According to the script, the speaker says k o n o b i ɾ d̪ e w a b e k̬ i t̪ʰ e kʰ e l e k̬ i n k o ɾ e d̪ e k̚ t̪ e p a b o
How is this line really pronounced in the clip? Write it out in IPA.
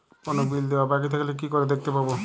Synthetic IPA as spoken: k o n o b i l d̪ e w a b a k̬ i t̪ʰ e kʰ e l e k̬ i k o ɾ e d̪ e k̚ t̪ e p a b o